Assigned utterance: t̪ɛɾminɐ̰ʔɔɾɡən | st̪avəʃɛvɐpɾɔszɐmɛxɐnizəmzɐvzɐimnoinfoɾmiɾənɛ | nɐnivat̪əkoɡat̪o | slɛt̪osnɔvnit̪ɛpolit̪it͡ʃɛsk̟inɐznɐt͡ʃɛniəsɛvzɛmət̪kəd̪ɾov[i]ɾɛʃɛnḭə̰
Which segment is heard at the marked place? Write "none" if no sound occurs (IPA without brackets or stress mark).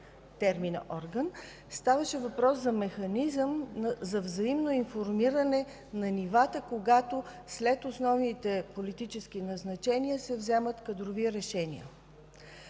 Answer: i